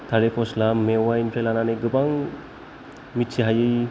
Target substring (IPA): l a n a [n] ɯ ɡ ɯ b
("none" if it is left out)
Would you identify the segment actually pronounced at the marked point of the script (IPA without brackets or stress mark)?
n